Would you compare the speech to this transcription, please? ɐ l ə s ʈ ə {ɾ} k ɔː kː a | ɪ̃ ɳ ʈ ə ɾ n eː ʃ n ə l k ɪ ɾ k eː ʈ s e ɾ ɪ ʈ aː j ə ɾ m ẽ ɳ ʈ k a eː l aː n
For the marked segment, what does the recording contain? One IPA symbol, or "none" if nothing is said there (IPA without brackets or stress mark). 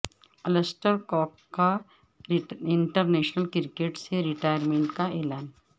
ɾ